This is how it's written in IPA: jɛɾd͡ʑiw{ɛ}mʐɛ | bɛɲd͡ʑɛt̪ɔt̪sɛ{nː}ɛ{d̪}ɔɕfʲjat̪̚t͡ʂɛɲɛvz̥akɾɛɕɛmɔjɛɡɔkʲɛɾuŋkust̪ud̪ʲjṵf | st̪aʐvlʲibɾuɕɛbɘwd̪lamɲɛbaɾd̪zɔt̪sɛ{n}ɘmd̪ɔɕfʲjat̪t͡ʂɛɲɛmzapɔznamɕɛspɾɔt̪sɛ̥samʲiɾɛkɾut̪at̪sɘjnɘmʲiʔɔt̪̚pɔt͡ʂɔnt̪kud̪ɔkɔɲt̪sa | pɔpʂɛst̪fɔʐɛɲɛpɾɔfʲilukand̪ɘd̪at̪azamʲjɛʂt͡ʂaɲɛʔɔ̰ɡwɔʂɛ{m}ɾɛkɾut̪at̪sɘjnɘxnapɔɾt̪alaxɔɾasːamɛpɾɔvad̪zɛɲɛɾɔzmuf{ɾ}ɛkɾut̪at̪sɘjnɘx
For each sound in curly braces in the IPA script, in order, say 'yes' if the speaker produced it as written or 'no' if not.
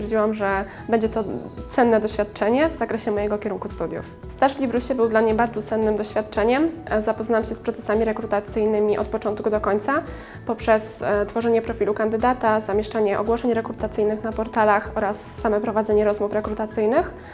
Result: no, yes, yes, no, no, yes

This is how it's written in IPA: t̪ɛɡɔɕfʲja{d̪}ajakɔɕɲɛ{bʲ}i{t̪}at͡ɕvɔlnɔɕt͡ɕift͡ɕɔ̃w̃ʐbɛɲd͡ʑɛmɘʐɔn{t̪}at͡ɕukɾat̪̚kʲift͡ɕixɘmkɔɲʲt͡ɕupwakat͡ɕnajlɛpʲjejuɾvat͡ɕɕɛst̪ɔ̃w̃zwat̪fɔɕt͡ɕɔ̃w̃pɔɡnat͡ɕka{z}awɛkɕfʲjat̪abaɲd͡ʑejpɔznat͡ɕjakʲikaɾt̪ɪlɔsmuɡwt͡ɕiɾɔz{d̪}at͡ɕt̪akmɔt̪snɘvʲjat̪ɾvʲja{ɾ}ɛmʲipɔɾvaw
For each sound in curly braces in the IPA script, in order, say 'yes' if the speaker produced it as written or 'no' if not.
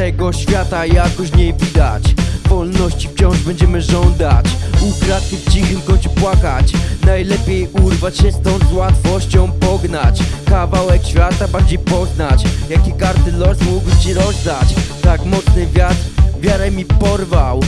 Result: no, no, no, no, no, yes, yes

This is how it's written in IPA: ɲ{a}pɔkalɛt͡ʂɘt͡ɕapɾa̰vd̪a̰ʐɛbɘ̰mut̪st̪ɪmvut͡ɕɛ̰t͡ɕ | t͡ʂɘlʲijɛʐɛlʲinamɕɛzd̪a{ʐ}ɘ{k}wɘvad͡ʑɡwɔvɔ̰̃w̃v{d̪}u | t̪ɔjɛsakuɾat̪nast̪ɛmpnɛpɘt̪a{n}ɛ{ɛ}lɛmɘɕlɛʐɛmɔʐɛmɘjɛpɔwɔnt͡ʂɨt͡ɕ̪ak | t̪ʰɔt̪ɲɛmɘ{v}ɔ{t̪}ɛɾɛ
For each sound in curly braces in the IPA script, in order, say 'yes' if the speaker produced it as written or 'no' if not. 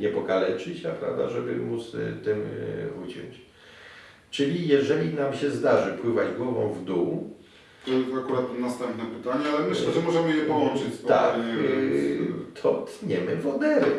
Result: no, yes, no, yes, no, no, yes, no

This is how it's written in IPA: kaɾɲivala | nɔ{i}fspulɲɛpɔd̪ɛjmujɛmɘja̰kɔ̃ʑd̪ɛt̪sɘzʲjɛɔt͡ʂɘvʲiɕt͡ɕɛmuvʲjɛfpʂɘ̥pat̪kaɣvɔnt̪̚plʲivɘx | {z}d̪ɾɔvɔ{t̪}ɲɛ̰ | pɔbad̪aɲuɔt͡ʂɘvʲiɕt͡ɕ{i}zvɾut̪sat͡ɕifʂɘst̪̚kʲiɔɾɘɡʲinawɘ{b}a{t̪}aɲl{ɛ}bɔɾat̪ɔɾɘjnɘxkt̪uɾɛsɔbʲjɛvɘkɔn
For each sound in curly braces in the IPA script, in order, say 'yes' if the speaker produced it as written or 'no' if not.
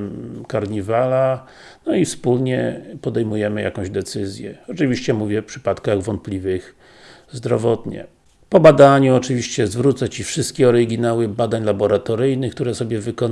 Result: yes, yes, yes, no, yes, no, no

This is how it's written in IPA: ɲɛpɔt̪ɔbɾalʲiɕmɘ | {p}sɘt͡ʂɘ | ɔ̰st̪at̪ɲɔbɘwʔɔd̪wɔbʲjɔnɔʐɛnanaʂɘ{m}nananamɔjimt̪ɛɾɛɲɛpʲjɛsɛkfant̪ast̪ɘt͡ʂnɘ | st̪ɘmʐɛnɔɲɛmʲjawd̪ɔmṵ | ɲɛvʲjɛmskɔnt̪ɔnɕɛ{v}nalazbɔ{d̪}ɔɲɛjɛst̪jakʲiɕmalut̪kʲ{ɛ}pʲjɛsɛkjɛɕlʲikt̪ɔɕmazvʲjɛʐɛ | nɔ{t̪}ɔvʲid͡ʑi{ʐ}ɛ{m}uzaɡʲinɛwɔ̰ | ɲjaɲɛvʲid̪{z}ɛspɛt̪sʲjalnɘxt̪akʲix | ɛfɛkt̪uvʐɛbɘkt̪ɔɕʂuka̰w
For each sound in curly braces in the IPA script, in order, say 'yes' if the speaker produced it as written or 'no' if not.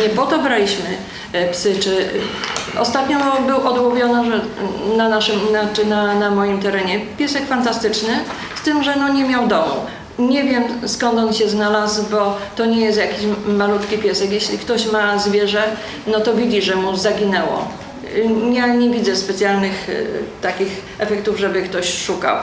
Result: yes, yes, no, no, no, yes, yes, yes, yes

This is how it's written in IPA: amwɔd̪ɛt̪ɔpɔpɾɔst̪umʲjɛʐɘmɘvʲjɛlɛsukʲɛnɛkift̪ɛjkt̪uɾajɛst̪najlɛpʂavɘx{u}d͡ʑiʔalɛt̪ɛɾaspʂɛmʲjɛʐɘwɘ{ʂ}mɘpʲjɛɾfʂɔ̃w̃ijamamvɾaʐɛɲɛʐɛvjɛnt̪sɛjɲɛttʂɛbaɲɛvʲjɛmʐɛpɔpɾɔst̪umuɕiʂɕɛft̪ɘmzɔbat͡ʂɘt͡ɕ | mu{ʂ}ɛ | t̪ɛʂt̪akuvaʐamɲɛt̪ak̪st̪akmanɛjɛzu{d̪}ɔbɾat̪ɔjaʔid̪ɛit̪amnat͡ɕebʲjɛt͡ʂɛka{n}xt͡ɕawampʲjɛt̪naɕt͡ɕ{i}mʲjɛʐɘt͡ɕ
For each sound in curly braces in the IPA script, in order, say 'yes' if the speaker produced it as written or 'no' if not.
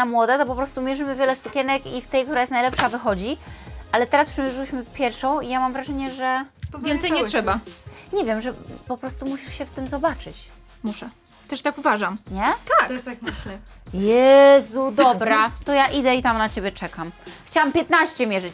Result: no, no, yes, yes, no, no

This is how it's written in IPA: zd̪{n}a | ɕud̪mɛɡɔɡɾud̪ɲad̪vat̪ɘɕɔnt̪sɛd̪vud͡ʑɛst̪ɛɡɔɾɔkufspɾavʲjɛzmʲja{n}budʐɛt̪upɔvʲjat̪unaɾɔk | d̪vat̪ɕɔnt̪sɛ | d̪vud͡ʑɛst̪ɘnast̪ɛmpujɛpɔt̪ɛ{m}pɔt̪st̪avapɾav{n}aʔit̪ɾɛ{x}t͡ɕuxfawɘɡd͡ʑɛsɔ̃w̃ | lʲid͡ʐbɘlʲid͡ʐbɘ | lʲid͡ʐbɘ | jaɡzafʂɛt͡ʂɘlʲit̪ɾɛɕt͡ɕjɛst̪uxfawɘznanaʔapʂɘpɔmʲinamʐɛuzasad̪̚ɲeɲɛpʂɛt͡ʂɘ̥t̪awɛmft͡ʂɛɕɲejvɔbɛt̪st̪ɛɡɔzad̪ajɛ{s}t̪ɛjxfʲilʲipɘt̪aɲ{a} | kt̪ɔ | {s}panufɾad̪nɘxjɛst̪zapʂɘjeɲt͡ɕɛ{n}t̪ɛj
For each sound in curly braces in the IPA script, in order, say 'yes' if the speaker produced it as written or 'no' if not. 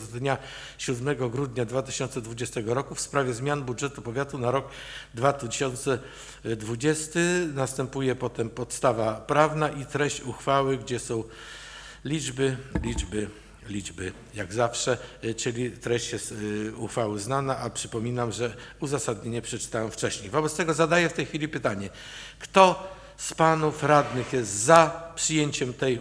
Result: no, yes, yes, yes, no, no, no, yes, no

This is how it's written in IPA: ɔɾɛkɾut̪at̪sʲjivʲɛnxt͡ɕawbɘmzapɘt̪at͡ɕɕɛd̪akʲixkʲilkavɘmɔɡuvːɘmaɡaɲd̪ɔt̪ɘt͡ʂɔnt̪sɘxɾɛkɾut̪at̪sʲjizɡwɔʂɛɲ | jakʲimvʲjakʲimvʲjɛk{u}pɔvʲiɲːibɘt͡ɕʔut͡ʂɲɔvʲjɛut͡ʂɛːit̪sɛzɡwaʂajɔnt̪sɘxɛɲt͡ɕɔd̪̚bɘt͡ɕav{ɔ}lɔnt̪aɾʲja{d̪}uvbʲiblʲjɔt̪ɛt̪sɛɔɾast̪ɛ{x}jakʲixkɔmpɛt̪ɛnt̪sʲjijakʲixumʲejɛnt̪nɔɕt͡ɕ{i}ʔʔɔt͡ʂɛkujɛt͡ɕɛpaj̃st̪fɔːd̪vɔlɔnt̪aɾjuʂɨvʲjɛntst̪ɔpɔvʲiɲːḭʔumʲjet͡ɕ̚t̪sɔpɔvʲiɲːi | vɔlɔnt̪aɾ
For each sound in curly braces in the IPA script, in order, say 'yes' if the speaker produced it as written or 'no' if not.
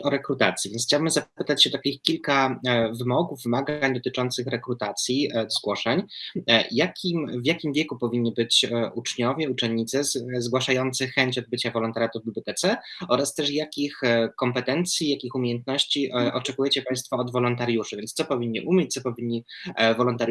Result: yes, yes, no, no, yes

